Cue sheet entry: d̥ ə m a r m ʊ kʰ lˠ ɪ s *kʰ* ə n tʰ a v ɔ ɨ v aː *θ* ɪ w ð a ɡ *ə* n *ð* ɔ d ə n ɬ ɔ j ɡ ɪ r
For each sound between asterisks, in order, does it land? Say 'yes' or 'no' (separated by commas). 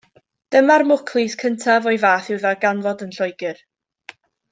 yes, yes, no, no